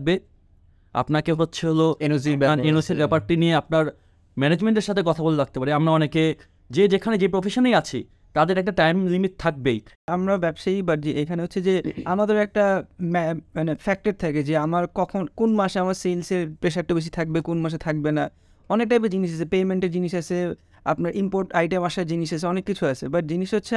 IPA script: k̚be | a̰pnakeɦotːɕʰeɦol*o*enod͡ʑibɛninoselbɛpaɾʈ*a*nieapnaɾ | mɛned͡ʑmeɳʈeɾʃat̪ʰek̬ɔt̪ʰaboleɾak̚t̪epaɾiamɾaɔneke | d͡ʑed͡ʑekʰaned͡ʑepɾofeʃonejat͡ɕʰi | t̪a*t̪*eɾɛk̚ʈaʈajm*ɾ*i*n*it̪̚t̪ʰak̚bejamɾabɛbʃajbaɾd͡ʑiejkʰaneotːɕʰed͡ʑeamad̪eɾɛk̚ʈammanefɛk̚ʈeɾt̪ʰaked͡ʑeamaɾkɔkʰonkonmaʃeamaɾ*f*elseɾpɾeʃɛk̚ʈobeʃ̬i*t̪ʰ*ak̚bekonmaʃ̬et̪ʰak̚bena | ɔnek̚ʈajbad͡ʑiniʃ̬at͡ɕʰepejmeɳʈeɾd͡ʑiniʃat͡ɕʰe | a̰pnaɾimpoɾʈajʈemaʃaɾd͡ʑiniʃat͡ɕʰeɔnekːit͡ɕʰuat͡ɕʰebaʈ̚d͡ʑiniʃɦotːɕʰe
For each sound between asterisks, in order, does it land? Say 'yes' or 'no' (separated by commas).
yes, no, no, no, no, no, yes